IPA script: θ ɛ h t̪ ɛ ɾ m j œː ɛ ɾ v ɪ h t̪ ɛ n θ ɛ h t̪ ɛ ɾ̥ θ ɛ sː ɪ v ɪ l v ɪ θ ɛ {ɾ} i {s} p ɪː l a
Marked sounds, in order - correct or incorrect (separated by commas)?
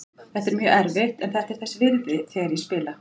correct, correct